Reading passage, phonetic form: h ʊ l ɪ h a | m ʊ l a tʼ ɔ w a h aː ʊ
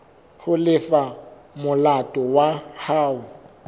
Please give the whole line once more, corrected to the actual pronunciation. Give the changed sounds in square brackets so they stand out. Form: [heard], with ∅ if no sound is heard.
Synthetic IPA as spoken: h ʊ l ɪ [f] a | m ʊ l a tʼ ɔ w a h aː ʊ